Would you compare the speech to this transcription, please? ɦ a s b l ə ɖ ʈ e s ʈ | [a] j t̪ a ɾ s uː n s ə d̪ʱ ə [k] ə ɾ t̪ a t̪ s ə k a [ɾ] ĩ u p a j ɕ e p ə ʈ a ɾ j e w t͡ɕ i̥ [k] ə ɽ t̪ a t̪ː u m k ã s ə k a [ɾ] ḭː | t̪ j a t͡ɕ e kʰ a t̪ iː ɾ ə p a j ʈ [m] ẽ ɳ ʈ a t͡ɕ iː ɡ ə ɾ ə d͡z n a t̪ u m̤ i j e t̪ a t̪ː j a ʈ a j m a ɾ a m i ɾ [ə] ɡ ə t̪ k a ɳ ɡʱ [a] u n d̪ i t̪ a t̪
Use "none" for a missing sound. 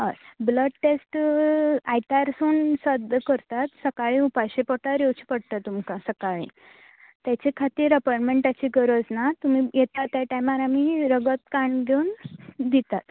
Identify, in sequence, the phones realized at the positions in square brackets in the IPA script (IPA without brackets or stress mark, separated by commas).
a, k, ɭ, p, ɭ, m, ə, e